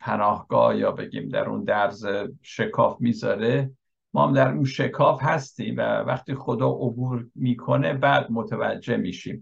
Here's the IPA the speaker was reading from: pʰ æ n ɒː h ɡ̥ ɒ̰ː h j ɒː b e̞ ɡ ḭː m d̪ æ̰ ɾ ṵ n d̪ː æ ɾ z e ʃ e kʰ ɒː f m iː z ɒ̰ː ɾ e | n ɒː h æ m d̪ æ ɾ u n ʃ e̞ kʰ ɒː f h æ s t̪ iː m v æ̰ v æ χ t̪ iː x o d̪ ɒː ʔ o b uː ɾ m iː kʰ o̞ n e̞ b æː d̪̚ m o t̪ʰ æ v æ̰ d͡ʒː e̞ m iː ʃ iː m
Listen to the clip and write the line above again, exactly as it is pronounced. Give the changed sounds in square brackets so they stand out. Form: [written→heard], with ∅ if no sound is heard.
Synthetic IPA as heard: pʰ æ n ɒː h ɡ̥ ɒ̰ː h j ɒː b e̞ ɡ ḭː m d̪ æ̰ ɾ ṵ n [d̪ː→d̪] æ ɾ z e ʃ e kʰ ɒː f m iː z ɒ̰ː ɾ e | [n→m] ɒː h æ m d̪ æ ɾ u n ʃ e̞ kʰ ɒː f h æ s t̪ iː m v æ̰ v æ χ t̪ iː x o d̪ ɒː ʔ o b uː ɾ m iː kʰ o̞ n e̞ b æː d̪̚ m o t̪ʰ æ v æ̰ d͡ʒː e̞ m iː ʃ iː m